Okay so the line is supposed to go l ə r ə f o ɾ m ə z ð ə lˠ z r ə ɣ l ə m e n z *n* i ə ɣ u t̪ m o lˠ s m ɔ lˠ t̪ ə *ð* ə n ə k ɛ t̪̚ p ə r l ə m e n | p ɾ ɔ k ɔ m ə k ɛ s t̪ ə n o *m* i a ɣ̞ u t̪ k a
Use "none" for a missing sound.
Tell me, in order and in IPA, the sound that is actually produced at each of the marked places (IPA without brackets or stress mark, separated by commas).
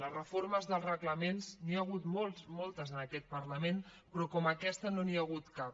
n, z, n